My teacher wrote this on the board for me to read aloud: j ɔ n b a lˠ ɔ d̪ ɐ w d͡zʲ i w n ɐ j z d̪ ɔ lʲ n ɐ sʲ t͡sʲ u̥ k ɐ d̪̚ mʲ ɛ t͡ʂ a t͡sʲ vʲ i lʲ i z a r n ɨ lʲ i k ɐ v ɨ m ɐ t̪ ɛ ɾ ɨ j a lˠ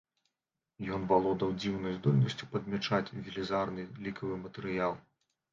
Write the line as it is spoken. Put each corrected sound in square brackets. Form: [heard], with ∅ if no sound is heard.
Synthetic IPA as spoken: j ɔ n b a lˠ ɔ d̪ ɐ w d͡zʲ i w n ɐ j z d̪ ɔ lʲ n ɐ sʲ t͡sʲ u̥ [p] ɐ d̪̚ mʲ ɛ t͡ʂ a t͡sʲ vʲ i lʲ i z a r n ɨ lʲ i k ɐ v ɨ m ɐ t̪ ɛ ɾ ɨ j a lˠ